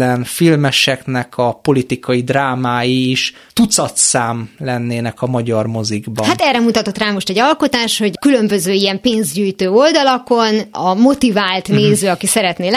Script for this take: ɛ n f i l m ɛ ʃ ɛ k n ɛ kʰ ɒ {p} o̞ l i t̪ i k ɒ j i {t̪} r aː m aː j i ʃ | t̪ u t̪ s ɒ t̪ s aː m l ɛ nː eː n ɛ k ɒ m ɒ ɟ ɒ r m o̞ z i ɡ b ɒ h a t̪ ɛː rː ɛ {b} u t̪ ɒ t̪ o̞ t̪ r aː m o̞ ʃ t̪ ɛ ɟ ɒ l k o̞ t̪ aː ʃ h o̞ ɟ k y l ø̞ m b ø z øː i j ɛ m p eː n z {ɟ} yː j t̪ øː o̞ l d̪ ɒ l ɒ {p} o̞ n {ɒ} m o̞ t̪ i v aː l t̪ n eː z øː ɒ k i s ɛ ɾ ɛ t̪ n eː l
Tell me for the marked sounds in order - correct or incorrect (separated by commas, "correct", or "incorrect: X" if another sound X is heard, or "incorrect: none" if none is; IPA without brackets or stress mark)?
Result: correct, incorrect: d̪, incorrect: m, correct, incorrect: k, correct